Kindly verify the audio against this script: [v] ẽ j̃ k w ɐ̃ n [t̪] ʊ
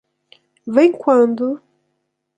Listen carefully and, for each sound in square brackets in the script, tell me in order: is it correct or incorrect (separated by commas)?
correct, incorrect